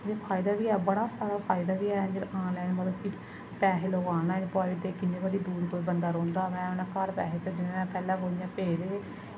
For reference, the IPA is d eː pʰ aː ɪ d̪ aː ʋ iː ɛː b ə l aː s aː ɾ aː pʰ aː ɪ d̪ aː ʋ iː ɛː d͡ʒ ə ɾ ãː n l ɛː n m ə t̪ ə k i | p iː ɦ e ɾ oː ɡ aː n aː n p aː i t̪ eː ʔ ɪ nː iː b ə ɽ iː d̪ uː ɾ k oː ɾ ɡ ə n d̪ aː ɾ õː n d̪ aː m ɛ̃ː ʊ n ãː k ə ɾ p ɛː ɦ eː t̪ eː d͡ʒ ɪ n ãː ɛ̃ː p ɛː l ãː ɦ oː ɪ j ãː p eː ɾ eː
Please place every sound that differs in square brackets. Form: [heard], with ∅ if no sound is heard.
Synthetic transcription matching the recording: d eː pʰ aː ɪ d̪ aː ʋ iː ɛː b ə [ɽ] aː s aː ɾ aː pʰ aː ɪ d̪ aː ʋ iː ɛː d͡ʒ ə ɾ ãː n l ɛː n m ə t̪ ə k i | p [ɛː] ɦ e [l] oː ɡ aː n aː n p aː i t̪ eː [k] ɪ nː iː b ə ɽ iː d̪ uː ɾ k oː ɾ [b] ə n d̪ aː ɾ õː n d̪ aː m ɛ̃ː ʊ n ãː k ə ɾ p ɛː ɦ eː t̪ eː d͡ʒ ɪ n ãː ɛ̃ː p ɛː l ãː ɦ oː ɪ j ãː p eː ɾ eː